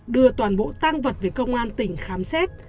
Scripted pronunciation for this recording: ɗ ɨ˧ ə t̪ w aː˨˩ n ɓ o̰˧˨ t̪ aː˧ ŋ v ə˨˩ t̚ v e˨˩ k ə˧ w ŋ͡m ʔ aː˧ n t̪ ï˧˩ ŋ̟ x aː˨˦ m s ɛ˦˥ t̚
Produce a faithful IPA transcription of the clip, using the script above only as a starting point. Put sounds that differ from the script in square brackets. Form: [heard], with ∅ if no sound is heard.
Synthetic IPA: ɗ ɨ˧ ə t̪ w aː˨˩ n ɓ o̰˧˨ t̪ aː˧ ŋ v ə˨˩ t̚ v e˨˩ k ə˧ w ŋ͡m ʔ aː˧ n t̪ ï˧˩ ŋ̟ x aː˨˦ m s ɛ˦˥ t̚